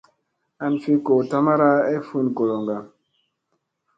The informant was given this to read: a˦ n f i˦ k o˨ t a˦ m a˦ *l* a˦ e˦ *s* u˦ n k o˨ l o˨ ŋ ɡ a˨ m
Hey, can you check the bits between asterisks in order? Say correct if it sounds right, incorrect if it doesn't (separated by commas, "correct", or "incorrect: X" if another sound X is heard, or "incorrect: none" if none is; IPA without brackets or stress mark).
incorrect: ɾ, incorrect: f